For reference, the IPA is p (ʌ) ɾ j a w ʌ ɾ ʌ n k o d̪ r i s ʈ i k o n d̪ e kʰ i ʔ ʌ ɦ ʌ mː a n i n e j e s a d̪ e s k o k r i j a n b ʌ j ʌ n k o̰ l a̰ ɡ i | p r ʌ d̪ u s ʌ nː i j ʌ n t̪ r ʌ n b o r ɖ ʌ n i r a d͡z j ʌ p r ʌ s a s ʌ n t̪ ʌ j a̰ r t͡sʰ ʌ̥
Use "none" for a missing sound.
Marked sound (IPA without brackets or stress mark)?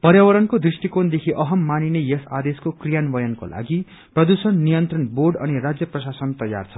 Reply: ʌ